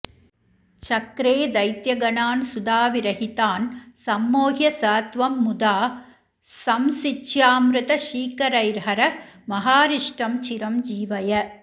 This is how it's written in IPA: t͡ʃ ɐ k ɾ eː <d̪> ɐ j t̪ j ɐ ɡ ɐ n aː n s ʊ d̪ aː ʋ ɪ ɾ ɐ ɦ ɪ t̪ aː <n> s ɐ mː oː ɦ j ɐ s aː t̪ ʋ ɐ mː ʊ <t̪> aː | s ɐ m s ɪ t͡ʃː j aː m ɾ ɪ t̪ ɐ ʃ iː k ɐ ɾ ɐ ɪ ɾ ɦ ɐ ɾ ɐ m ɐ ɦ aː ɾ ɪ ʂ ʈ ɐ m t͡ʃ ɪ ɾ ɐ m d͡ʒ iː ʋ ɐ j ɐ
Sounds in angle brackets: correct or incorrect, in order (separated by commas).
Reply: correct, correct, incorrect